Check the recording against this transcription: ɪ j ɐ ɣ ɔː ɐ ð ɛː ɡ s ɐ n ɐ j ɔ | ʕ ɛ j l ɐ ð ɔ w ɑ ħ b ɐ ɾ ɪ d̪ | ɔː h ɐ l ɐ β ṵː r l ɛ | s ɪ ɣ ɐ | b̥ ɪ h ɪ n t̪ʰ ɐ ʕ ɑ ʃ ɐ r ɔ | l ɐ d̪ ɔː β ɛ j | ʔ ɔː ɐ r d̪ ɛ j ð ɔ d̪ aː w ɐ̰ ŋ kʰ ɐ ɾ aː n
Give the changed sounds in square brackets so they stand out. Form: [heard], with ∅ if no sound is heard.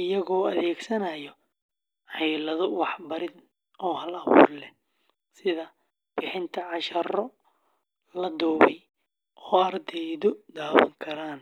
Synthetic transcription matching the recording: ɪ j ɐ ɣ ɔː ɐ ð ɛː ɡ s ɐ n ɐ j ɔ | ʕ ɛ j l ɐ ð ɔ w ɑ ħ b ɐ ɾ ɪ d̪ | ɔː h ɐ l ɐ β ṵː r l ɛ | s ɪ [ð] ɐ | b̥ ɪ [ħ] ɪ n t̪ʰ ɐ ʕ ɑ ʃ ɐ r ɔ | l ɐ d̪ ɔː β ɛ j | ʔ ɔː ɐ r d̪ ɛ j ð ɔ d̪ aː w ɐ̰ ŋ kʰ ɐ ɾ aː n